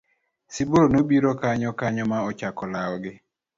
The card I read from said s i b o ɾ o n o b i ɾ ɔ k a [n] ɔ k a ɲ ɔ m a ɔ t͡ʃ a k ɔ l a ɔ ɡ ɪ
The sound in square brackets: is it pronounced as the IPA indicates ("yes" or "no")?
no